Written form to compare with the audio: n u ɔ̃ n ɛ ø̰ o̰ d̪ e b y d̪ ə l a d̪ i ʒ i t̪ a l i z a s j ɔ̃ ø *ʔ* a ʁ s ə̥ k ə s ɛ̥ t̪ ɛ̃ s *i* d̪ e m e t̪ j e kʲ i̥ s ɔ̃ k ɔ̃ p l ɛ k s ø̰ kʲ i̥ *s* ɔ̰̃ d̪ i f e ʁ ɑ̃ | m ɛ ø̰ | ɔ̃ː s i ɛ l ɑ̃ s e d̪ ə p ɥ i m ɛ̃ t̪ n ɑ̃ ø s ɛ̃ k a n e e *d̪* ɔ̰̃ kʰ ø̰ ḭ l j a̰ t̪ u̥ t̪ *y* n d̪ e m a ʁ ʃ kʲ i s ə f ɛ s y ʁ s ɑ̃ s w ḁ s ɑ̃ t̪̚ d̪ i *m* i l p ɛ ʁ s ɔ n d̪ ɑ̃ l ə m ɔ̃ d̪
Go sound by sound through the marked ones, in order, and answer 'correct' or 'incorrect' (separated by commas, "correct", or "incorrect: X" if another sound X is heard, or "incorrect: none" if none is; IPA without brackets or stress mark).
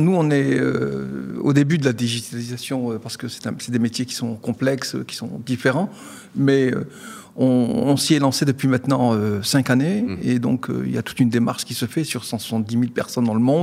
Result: incorrect: p, incorrect: ɛ, correct, correct, correct, correct